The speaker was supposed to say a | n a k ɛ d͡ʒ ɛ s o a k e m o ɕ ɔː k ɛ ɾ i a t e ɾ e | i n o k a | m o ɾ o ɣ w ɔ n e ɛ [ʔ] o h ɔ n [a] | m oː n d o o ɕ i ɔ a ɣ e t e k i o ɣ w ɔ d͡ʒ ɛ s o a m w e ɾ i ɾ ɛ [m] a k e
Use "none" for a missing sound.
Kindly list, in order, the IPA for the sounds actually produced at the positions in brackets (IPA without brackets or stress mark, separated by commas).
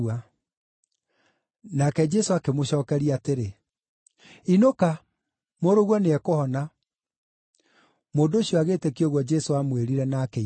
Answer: k, a, n